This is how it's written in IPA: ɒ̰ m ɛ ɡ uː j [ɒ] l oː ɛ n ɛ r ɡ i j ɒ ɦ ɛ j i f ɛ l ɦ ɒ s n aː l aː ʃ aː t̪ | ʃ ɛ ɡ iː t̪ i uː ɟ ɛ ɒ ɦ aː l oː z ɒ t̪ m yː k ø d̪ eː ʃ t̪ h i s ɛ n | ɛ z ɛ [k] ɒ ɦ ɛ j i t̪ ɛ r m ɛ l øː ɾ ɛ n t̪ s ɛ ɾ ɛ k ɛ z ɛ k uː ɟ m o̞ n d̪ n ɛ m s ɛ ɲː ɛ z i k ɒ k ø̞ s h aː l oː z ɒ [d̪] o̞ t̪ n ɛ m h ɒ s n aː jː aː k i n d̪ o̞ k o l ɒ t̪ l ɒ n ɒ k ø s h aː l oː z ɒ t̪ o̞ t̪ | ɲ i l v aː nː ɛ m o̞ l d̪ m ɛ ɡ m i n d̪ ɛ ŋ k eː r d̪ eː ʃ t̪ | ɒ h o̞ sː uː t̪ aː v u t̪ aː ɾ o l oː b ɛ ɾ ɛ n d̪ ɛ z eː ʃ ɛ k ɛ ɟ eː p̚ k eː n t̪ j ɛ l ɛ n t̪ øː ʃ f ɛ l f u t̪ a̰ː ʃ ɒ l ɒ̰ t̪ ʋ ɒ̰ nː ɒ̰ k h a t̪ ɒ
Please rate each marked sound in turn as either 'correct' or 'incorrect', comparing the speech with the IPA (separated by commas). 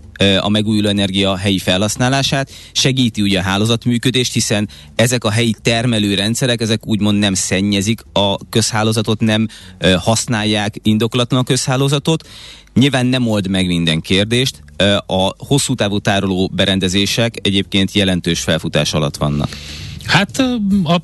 incorrect, correct, incorrect